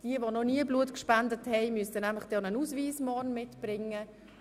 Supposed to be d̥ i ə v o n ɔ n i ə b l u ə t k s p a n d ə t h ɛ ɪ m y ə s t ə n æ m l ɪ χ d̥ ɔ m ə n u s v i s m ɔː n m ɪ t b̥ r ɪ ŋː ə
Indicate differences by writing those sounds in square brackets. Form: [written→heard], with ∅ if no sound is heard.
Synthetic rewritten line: d̥ i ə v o n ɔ n i ə b l u ə t k [s→ʃ] p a n d ə t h ɛ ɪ m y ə s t ə n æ m l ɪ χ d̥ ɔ [m→n] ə n u s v [i→iː] s m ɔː n m ɪ t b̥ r ɪ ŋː ə